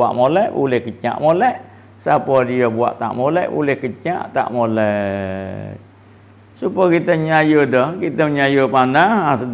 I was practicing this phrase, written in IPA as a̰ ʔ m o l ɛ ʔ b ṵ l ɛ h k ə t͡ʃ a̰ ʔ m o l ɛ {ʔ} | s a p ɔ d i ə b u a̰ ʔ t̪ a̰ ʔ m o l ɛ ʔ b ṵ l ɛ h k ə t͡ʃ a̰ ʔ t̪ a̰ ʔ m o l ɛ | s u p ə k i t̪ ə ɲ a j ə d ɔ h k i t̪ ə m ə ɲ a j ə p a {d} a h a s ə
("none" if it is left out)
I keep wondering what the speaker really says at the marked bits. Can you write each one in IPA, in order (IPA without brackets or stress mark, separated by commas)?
ʔ, n